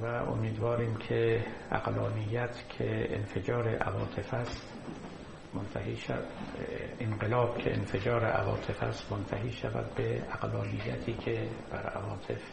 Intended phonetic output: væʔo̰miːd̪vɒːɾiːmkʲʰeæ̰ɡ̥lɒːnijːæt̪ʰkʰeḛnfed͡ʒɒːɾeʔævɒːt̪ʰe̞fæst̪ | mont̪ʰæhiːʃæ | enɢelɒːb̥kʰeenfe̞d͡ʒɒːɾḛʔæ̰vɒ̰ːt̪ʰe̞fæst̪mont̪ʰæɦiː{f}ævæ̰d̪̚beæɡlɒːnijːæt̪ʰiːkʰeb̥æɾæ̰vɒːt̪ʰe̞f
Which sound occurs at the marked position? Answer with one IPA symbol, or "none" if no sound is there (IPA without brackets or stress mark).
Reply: ʃ